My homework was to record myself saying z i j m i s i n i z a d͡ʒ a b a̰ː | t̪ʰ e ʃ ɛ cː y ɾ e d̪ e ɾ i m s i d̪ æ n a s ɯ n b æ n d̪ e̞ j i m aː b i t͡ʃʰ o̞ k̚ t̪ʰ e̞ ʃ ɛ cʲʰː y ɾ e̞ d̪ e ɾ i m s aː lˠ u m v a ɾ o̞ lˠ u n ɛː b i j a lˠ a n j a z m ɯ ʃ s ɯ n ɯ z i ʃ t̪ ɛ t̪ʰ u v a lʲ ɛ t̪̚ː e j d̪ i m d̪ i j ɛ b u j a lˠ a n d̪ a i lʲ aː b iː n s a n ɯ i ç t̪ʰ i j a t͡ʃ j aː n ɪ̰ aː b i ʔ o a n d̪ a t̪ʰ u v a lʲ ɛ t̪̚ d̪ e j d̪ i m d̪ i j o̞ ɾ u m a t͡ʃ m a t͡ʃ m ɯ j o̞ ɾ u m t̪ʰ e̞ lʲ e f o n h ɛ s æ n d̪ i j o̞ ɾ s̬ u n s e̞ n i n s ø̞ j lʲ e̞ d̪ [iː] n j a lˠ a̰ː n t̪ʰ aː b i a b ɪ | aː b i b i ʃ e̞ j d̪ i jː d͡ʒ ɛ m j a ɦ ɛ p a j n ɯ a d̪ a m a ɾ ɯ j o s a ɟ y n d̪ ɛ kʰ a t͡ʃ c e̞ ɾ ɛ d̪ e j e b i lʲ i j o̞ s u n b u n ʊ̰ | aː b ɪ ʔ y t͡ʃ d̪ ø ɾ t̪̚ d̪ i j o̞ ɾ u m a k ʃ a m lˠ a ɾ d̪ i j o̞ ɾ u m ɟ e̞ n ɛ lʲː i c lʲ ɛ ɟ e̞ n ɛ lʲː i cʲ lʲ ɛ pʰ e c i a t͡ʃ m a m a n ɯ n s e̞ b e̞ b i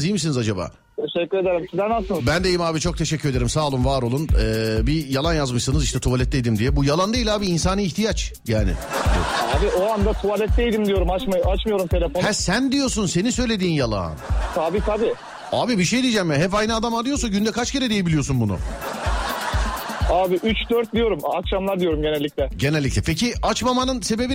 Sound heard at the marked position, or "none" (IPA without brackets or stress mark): iː